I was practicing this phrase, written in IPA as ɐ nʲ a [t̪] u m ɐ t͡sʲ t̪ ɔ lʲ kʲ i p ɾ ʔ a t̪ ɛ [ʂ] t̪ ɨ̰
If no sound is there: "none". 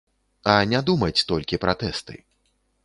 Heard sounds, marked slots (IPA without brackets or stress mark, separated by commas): d̪, s